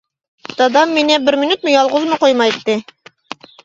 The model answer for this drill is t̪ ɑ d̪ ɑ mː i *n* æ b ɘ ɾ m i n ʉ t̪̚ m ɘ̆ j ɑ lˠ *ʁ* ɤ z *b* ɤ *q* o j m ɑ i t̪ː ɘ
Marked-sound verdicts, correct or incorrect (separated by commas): correct, correct, incorrect, correct